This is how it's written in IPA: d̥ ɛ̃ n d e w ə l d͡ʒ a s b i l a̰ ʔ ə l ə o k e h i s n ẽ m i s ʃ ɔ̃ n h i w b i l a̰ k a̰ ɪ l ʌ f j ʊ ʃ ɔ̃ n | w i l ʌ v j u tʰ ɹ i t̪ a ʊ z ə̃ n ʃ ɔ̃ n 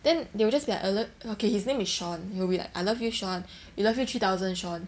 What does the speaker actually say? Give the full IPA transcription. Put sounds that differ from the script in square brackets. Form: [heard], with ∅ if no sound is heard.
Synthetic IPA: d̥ ɛ̃ n d e w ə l d͡ʒ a s b i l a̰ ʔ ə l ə o k e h i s n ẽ m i s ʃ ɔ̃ n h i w b i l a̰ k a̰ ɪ l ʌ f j [u] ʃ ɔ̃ n | w i l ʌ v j u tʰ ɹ i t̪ a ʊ z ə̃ n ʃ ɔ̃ n